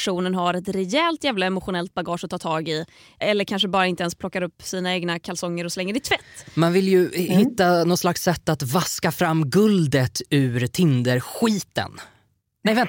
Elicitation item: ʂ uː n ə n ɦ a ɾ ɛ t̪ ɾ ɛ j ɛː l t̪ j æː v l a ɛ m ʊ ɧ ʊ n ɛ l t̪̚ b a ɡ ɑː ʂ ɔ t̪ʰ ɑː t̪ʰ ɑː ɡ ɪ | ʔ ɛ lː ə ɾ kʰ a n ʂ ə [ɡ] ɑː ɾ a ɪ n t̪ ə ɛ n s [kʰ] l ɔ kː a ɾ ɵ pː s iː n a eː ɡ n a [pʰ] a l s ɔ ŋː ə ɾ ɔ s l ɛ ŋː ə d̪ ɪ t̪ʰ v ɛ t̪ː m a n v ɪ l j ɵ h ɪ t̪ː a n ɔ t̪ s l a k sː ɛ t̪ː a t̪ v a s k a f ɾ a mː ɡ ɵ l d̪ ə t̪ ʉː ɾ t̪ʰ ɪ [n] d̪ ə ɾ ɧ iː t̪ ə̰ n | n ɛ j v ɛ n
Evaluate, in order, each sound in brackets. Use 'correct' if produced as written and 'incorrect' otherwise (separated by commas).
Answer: incorrect, incorrect, incorrect, correct